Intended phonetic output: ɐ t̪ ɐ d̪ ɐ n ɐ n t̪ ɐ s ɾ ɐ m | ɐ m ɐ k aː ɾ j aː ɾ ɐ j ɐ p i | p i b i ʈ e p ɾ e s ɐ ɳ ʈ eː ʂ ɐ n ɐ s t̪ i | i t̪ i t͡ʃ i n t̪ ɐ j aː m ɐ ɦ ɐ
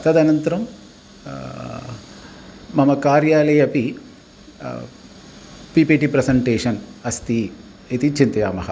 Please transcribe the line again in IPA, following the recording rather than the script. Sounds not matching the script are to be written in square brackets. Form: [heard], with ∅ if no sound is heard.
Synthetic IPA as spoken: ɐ t̪ ɐ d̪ ɐ n ɐ n t̪ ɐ [∅] ɾ ɐ m | ɐ m ɐ k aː ɾ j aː [l] ɐ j ɐ p i | p i [p] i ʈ [i] p ɾ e s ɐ ɳ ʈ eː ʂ ɐ n ɐ s t̪ i | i t̪ i t͡ʃ i n t̪ ɐ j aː m ɐ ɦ ɐ